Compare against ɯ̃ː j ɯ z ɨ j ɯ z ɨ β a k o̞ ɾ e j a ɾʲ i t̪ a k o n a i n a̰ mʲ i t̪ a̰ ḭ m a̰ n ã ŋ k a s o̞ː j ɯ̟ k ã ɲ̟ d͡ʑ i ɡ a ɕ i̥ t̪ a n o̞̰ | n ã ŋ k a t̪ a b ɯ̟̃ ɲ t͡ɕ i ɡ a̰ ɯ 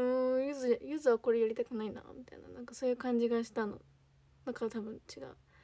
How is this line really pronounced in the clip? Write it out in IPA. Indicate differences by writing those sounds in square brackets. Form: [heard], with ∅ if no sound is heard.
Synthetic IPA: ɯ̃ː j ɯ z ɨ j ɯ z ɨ β a k o̞ ɾ e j a ɾʲ i t̪ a k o n a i n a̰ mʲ i t̪ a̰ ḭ [n] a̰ n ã ŋ k a s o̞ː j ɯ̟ k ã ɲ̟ d͡ʑ i ɡ a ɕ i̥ t̪ a n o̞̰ | n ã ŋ k a t̪ a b ɯ̟̃ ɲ t͡ɕ i ɡ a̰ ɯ